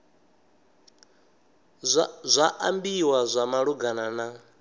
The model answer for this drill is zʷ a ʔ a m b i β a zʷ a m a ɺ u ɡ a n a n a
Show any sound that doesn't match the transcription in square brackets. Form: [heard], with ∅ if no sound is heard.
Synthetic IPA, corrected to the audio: zʷ a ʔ a m b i [w] a zʷ a m a ɺ u ɡ a n a n a